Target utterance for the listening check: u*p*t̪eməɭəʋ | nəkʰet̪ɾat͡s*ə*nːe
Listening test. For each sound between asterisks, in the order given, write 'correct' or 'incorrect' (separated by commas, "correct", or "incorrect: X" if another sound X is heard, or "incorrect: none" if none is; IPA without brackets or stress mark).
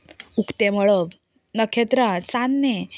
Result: incorrect: k, incorrect: a